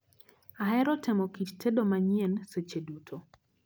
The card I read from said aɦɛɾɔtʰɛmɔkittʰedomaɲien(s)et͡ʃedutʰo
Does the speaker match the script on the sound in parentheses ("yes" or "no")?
yes